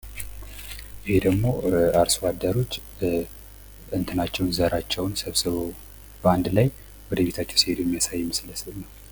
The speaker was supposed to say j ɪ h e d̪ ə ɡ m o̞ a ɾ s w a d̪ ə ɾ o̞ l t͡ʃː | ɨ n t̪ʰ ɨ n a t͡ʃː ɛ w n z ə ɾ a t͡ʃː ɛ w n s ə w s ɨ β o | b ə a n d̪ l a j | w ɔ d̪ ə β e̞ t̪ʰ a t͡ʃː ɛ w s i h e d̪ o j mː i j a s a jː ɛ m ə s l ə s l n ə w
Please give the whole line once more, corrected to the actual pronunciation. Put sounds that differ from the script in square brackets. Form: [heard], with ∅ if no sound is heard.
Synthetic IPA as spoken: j ɪ h e d̪ ə ɡ m o̞ a ɾ s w a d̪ ə ɾ o̞ [∅] t͡ʃː | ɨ n t̪ʰ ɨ n a t͡ʃː ɛ w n z ə ɾ a t͡ʃː ɛ w n s ə [β] s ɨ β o | b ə a n d̪ l a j | w ɔ d̪ ə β e̞ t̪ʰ a t͡ʃː ɛ w s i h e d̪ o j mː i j a s a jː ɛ m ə s l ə s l n ə w